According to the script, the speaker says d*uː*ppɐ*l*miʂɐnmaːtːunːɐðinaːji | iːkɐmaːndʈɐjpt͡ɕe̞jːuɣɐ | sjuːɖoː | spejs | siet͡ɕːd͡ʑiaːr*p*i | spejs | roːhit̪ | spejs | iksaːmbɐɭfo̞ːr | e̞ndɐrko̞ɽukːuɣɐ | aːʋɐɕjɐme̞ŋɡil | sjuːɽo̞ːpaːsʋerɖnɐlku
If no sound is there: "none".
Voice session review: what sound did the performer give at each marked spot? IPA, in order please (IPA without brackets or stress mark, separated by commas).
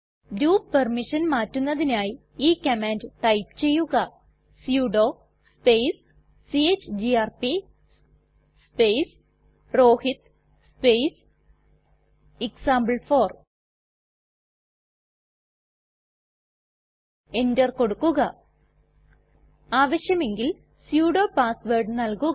uː, r, p